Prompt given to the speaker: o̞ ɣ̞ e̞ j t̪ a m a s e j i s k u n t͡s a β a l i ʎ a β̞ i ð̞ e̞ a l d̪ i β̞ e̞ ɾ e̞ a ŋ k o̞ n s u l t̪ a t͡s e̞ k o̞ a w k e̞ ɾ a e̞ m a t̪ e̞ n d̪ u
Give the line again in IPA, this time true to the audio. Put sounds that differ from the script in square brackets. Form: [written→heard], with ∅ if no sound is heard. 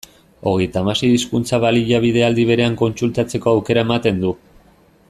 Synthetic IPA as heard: o̞ ɣ̞ e̞ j t̪ a m a s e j i s k u n t͡s a β a l i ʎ a β̞ i ð̞ e̞ a l d̪ i β̞ e̞ ɾ e̞ a ŋ k o̞ n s u l t̪ a t͡s e̞ k o̞ a w k e̞ ɾ a e̞ m a t̪ e̞ n d̪ u